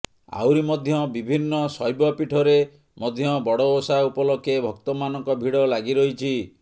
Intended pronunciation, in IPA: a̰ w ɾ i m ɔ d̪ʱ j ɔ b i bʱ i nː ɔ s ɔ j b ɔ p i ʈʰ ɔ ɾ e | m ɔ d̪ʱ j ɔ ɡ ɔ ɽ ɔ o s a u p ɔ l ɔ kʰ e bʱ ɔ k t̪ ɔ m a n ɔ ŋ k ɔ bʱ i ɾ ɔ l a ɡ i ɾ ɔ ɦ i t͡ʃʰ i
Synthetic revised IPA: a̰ w ɾ i m ɔ d̪ʱ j ɔ b i bʱ i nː ɔ s ɔ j b ɔ p i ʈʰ ɔ ɾ e | m ɔ d̪ʱ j ɔ b ɔ ɽ ɔ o s a u p ɔ l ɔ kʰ e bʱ ɔ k t̪ ɔ m a n ɔ ŋ k ɔ bʱ i ɽ ɔ l a ɡ i ɾ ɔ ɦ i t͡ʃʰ i